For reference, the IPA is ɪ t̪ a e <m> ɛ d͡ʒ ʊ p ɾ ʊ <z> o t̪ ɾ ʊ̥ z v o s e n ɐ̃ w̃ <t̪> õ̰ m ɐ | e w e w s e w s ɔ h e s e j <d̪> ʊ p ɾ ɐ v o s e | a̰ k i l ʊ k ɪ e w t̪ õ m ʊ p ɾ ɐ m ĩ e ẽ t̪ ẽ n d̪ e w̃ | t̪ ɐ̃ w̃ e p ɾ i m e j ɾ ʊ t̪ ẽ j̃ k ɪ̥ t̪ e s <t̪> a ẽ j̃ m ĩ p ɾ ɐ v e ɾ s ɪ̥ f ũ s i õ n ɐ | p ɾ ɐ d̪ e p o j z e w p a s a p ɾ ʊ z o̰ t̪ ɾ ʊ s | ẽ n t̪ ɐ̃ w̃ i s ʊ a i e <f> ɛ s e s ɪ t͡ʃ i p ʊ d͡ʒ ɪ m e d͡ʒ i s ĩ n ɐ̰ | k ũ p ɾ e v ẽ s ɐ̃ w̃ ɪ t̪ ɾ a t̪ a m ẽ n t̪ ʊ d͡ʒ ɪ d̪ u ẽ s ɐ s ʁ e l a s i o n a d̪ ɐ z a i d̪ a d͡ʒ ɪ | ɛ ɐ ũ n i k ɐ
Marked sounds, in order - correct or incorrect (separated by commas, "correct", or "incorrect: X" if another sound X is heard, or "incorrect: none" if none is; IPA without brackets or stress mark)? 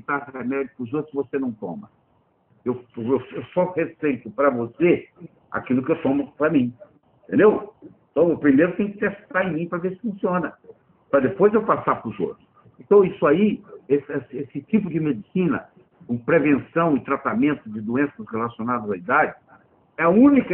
correct, correct, correct, incorrect: t̪, correct, incorrect: s